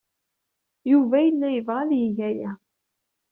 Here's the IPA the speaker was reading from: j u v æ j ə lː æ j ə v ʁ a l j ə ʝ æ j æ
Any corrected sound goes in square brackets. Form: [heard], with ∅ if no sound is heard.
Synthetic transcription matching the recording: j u v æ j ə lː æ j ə v ʁ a l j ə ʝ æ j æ